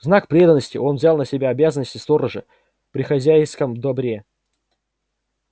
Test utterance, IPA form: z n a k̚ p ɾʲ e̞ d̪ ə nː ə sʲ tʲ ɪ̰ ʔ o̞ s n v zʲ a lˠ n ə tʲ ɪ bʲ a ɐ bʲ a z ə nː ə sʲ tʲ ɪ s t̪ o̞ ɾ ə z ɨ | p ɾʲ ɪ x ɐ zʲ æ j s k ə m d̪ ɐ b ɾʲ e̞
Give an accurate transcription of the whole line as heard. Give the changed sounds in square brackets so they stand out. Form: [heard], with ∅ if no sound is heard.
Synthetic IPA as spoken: z n a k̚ p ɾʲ e̞ d̪ ə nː ə sʲ tʲ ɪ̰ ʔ o̞ [∅] n v zʲ a lˠ n ə [sʲ] ɪ bʲ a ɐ bʲ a z ə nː ə sʲ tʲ ɪ s t̪ o̞ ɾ ə [ʐ] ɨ | p ɾʲ ɪ x ɐ zʲ æ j s k ə m d̪ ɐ b ɾʲ e̞